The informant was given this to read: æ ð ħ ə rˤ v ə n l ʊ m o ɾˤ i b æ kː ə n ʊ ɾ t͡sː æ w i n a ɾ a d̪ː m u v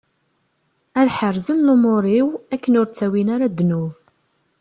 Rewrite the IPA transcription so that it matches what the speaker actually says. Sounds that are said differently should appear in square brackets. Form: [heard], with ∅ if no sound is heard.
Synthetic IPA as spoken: æ ð ħ ə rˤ [z] ə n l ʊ m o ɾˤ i [w] æ kː ə n ʊ ɾ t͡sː æ w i n a ɾ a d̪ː [n] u v